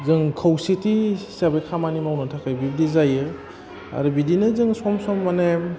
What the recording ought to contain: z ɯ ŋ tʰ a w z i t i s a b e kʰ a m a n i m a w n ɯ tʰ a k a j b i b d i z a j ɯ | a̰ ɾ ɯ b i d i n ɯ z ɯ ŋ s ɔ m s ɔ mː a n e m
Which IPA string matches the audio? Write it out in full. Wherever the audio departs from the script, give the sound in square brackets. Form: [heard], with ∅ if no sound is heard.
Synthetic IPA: z ɯ ŋ [kʰ] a w [s] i t i s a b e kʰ a m a n i m a w n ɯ tʰ a k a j b i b d i z a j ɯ | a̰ ɾ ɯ b i d i n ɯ z ɯ ŋ s ɔ m s ɔ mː a n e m